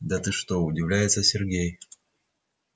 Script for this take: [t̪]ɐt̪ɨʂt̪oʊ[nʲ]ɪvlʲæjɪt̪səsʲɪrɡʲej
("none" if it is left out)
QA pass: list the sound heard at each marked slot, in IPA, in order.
d̪, dʲ

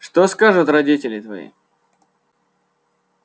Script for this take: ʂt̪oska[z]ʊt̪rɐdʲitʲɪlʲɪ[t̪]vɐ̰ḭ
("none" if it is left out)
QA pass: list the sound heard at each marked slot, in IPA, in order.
ʐ, t̪

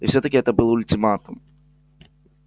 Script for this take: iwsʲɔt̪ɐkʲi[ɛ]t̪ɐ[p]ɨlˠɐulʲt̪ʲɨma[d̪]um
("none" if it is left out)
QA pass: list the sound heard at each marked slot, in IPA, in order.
ɛ, b, t̪

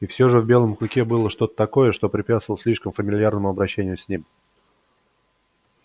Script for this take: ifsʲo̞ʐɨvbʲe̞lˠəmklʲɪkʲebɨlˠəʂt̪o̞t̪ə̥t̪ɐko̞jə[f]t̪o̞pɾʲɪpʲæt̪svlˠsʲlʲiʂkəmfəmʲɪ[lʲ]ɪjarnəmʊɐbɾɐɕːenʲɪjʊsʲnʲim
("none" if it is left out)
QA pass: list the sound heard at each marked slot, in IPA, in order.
ʂ, lʲ

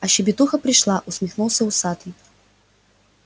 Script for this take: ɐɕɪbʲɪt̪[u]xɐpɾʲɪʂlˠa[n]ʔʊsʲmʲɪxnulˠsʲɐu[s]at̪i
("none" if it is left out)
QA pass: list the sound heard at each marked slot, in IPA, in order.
u, none, s

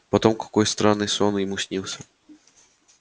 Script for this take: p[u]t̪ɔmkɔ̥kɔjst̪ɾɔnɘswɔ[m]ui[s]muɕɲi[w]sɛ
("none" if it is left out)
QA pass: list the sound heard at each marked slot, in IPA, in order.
ɔ, n, none, w

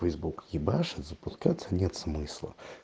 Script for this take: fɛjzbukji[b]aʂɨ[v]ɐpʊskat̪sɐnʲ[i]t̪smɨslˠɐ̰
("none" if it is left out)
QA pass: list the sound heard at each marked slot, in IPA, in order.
b, z, ɛ

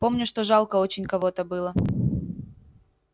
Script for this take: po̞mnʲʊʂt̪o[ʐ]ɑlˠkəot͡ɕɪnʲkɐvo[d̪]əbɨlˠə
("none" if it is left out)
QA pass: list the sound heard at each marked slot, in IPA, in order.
ʐ, t̪

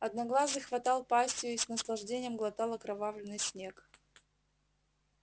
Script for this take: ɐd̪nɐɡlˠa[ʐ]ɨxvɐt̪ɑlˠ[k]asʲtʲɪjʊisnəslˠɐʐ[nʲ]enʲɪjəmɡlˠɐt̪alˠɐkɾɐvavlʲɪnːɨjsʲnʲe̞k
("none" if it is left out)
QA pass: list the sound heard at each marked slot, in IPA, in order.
z, p, dʲ

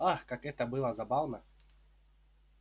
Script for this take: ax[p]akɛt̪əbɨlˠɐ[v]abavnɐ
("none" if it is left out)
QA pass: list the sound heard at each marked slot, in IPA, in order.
k, z

